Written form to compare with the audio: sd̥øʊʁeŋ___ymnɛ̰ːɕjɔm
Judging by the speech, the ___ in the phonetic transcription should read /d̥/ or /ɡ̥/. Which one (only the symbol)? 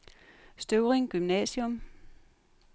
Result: ɡ̥